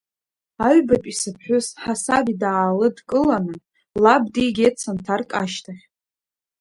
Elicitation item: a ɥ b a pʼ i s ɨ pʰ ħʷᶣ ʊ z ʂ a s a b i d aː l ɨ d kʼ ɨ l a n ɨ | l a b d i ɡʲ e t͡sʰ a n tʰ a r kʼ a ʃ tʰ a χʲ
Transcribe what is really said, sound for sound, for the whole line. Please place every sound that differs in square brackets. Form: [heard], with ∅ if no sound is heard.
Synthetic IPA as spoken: a ɥ b a pʼ i s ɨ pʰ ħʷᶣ ʊ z [ħ] a s a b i d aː l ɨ d kʼ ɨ l a n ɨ | l a b d i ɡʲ e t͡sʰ a n tʰ a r kʼ a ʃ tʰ a χʲ